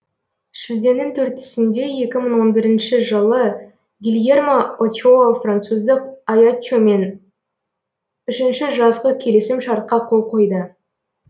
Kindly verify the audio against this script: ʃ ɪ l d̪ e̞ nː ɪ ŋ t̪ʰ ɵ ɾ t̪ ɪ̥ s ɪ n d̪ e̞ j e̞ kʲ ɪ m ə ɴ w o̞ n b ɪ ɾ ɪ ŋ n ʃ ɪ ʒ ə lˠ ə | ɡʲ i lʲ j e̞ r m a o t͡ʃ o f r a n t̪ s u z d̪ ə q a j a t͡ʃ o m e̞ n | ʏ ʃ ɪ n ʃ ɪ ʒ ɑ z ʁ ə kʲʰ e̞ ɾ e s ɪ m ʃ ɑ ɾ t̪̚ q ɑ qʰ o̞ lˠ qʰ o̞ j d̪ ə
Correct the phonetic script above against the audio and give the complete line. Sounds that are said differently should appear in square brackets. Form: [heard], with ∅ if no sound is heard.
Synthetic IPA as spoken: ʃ ɪ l d̪ e̞ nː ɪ ŋ t̪ʰ ɵ ɾ t̪ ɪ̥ s ɪ n d̪ e̞ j e̞ kʲ ɪ m ə ɴ w o̞ n b ɪ ɾ ɪ [∅] n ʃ ɪ ʒ ə lˠ ə | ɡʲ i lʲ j e̞ r m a o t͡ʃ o f r a n t̪ s u z d̪ ə q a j a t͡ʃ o m e̞ n | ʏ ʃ ɪ n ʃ ɪ ʒ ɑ z ʁ ə kʲʰ e̞ [l] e s ɪ m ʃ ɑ ɾ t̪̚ q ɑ qʰ o̞ lˠ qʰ o̞ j d̪ ə